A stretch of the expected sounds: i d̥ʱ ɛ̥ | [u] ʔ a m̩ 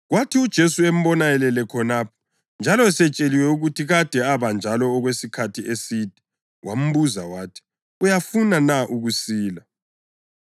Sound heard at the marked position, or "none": w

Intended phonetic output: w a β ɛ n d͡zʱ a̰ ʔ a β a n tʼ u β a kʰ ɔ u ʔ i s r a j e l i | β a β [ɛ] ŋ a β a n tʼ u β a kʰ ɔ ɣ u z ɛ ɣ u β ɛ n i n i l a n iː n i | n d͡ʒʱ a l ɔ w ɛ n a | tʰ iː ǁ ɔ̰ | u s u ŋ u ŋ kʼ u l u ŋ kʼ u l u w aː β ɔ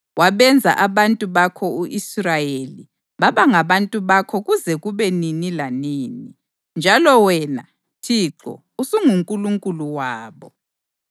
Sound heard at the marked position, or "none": a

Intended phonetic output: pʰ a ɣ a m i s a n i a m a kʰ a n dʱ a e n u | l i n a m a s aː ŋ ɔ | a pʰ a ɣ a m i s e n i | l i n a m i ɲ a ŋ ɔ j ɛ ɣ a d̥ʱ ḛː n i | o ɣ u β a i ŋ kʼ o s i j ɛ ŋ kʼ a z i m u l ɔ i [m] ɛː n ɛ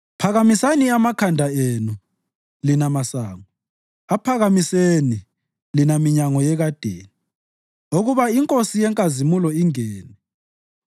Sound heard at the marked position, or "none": ŋ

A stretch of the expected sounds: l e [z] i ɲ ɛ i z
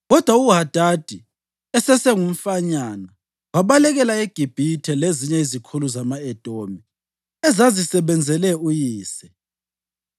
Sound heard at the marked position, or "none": z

